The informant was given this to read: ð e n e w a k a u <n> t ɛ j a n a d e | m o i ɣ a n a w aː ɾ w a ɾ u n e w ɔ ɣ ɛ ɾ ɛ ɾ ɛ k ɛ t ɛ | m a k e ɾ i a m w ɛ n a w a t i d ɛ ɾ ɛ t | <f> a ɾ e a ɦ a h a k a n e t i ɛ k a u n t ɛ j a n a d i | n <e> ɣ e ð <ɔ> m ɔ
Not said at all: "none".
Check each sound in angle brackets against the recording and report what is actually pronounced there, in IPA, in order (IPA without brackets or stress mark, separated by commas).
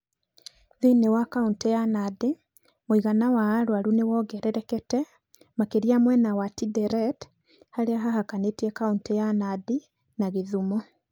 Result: n, h, a, u